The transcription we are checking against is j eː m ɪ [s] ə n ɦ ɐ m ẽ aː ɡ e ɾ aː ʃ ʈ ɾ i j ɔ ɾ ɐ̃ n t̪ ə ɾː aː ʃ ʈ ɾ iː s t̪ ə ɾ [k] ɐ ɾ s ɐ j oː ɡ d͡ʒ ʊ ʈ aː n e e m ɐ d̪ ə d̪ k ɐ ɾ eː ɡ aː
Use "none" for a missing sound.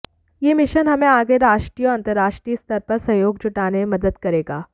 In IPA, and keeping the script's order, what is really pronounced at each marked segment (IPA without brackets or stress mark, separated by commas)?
ʃ, p